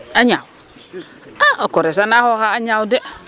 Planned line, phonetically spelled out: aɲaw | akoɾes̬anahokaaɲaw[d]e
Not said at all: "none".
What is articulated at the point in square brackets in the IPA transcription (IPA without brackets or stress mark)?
d